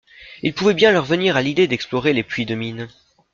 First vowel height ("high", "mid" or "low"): high